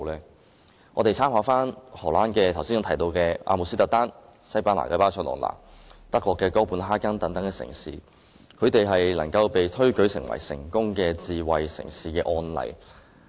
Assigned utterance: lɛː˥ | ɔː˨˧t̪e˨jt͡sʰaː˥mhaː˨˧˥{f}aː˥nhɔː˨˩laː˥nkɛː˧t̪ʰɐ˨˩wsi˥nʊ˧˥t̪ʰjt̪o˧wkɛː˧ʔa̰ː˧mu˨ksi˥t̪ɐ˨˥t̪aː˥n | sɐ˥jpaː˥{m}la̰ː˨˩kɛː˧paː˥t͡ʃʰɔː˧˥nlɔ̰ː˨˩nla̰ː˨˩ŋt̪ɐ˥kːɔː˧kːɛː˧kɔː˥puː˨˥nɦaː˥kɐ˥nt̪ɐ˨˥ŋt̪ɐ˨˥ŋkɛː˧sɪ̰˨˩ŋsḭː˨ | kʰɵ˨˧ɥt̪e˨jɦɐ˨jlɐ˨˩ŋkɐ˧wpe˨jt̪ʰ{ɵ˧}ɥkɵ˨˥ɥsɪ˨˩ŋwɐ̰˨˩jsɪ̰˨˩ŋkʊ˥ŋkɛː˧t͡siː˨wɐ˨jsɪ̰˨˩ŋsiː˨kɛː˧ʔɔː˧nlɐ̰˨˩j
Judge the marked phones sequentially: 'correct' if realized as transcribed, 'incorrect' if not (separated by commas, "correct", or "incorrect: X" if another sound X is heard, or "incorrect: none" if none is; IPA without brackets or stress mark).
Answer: correct, incorrect: n, incorrect: ɵ˥